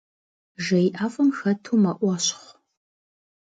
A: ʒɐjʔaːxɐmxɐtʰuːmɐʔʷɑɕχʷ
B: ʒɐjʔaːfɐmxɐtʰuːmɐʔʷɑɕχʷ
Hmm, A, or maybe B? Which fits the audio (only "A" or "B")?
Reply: B